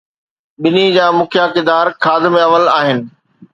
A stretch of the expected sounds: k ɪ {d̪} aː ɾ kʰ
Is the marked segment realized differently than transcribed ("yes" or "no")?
no